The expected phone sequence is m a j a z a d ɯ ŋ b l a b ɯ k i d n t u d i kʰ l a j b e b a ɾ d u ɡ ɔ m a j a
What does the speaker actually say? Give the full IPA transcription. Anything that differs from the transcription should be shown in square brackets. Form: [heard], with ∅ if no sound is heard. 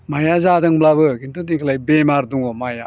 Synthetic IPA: m a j a z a d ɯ ŋ b l a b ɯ k i [∅] n t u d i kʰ l a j b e [m] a ɾ d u [ŋ] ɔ m a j a